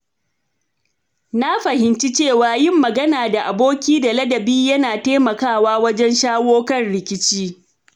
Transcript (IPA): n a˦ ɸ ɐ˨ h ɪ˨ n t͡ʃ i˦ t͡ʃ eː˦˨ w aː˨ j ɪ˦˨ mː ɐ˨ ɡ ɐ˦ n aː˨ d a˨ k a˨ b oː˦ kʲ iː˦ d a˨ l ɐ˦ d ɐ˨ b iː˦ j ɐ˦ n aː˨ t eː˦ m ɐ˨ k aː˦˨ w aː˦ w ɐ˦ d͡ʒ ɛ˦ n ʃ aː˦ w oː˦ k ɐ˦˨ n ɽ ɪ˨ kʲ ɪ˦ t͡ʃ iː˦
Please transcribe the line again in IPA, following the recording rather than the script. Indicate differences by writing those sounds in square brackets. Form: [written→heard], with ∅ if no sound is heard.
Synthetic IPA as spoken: n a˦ ɸ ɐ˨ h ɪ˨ n t͡ʃ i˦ t͡ʃ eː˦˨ w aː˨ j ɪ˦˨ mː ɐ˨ ɡ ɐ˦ n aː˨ d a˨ [k→ʔ] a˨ b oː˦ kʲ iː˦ d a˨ l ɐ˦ d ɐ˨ b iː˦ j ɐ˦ n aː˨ t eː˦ m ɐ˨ k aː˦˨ w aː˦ w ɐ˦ d͡ʒ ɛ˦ n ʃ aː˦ w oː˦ k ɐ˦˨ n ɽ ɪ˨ kʲ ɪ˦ t͡ʃ iː˦